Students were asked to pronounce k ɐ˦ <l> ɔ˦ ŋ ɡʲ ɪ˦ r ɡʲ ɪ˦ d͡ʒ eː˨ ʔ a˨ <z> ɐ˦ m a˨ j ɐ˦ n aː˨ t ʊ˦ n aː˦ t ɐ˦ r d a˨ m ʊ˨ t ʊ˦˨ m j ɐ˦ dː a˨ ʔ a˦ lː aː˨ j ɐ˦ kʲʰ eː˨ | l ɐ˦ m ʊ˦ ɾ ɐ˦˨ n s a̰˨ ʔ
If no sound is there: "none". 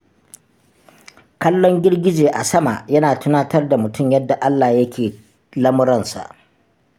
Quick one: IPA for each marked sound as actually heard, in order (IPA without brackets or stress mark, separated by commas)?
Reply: lː, s